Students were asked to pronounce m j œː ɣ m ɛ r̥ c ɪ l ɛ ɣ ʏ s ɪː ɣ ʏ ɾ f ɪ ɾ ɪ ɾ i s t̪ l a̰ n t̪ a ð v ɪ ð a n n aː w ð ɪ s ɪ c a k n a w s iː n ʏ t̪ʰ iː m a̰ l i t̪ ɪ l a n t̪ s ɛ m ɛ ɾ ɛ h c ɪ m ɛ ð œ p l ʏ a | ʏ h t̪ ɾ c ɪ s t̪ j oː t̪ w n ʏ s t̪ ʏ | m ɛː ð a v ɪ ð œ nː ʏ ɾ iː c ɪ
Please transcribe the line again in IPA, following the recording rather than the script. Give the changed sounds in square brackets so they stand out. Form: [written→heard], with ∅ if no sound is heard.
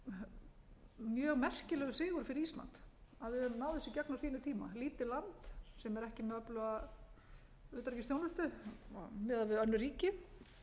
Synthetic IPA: m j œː ɣ m ɛ r̥ c ɪ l ɛ ɣ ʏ s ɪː ɣ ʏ ɾ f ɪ ɾ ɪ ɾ i s t̪ l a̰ n t̪ a ð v ɪ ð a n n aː w ð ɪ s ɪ c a k n a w s iː n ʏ t̪ʰ iː m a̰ l [i→iː] t̪ ɪ l a n t̪ s ɛ m ɛ ɾ ɛ h c ɪ m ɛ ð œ p l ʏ a | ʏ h t̪ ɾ c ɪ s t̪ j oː [t̪→∅] w n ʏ s t̪ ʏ | m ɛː ð a v ɪ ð œ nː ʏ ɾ iː c ɪ

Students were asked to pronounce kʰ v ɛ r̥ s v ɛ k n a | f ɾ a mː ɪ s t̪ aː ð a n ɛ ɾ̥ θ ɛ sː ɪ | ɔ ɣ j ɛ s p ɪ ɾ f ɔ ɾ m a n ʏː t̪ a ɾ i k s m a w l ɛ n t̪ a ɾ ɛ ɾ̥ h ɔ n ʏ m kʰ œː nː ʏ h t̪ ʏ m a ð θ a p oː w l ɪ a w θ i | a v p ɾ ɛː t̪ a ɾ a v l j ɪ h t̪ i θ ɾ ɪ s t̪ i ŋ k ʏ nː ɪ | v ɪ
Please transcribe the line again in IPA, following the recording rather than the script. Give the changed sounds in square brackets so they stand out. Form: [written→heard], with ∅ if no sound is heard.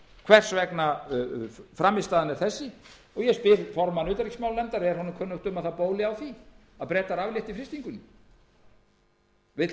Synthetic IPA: kʰ v ɛ r̥ s v ɛ k n a | f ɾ a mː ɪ s t̪ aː ð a n ɛ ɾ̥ θ ɛ sː ɪ | ɔ ɣ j ɛ s p ɪ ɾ f ɔ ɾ m a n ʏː t̪ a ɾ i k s m a w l ɛ n t̪ a ɾ ɛ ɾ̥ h ɔ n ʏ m kʰ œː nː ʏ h t̪ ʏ m a ð θ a p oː w l ɪ a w θ i | a [v→ð] p ɾ ɛː t̪ a ɾ a v l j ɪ h t̪ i [θ→f] ɾ ɪ s t̪ i ŋ k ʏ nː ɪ | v ɪ

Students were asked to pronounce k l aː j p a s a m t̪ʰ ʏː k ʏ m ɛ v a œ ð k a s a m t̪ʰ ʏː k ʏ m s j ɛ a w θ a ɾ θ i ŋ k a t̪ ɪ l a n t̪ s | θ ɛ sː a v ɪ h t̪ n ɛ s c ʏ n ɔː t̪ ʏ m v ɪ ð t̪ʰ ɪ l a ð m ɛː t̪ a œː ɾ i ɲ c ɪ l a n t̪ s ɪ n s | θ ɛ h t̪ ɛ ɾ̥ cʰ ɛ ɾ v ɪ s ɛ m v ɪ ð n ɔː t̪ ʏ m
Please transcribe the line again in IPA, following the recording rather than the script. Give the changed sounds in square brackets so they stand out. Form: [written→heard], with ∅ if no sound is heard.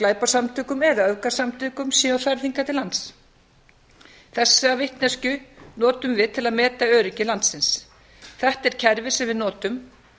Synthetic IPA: k l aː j p a s a m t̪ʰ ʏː k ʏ m ɛ [v→ð] a œ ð k a s a m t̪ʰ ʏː k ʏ m s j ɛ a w θ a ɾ θ i ŋ k a t̪ ɪ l a n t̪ s | θ ɛ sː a v ɪ h t̪ n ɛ s c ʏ n ɔː t̪ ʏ m v ɪ ð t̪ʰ ɪ l a ð m ɛː t̪ a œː ɾ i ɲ c ɪ l a n t̪ s ɪ n s | θ ɛ h t̪ ɛ ɾ̥ cʰ ɛ ɾ v ɪ s ɛ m v ɪ ð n ɔː t̪ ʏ m

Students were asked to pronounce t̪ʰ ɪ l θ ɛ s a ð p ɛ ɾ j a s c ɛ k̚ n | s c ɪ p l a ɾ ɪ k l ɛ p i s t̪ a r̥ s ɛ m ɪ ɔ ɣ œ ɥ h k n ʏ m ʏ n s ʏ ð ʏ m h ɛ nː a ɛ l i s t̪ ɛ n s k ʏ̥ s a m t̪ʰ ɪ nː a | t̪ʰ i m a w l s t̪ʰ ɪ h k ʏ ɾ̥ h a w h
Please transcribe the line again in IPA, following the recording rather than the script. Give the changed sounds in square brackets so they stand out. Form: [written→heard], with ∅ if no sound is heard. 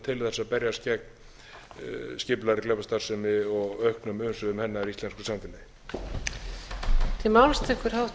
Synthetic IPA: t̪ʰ ɪ l θ ɛ s a ð p ɛ ɾ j a s c ɛ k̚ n | s c ɪ p l a ɾ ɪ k l ɛ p [i→a] s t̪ a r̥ s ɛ m ɪ ɔ ɣ œ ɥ h k n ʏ m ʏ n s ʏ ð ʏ m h ɛ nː a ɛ [l→ɾ] i s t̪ ɛ n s k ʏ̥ s a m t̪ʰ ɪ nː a | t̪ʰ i m a w l s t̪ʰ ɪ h k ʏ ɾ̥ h a w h

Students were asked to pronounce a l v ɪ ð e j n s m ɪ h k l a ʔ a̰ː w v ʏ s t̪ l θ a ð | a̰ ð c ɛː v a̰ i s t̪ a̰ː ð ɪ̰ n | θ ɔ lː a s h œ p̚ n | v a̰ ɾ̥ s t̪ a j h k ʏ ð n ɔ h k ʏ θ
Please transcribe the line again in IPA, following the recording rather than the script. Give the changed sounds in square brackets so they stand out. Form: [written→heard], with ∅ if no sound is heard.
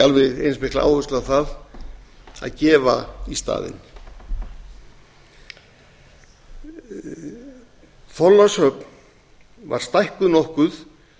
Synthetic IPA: a l v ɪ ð e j n s m ɪ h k l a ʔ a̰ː w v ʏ s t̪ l θ a ð | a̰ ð c ɛː v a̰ i s t̪ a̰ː ð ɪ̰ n | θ ɔ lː a s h œ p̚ n | v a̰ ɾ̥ s t̪ a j h k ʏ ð n ɔ h k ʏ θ

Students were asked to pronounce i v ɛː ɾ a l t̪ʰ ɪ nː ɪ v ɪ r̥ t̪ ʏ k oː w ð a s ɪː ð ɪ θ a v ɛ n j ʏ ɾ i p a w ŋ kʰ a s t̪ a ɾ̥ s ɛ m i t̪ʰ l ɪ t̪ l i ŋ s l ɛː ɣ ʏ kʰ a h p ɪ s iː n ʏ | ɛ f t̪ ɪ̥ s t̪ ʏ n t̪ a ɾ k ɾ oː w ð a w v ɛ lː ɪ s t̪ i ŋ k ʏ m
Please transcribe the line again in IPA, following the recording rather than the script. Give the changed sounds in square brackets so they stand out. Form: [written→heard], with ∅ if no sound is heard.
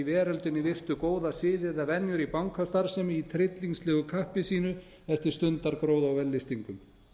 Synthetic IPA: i v ɛː ɾ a l [t̪ʰ→t̪] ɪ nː ɪ v ɪ r̥ t̪ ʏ k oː w ð a s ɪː ð ɪ [θ→ð] a v ɛ n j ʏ ɾ i p a w ŋ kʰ a s t̪ a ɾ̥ s ɛ m i t̪ʰ [l→ɾ] ɪ t̪ l i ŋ s l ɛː ɣ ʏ kʰ a h p ɪ s iː n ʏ | ɛ f t̪ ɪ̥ s t̪ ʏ n t̪ a ɾ k ɾ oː w ð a w v ɛ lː ɪ s t̪ i ŋ k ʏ m

